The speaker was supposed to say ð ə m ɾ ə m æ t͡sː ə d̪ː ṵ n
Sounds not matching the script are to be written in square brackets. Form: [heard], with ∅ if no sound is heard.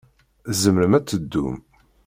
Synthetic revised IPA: [z] ə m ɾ ə m æ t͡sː ə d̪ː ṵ [m]